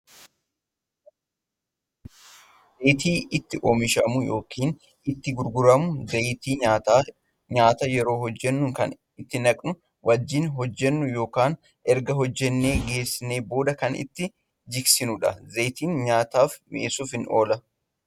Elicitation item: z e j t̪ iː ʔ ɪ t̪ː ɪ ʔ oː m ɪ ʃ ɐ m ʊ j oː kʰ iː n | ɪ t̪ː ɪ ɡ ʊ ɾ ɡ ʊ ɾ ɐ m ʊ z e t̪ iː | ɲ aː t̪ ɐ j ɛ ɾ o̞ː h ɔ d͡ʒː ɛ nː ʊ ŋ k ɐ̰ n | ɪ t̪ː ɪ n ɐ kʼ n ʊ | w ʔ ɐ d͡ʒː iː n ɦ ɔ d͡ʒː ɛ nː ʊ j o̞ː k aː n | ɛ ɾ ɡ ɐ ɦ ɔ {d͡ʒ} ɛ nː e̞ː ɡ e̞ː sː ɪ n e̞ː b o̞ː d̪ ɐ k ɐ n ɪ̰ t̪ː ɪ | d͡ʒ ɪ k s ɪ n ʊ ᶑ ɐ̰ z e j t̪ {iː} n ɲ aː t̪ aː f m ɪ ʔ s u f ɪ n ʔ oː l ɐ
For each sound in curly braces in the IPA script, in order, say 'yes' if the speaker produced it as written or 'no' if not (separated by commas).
no, yes